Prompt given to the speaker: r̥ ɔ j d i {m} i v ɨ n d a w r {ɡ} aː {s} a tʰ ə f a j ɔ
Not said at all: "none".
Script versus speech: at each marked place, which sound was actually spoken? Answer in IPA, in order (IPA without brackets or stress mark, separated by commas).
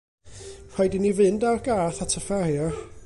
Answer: n, ɡ, θ